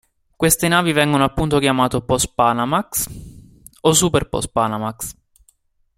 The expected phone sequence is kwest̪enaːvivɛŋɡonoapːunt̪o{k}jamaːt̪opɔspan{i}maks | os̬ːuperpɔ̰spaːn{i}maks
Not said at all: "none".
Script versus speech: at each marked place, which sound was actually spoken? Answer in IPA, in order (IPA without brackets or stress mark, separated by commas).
k, a, a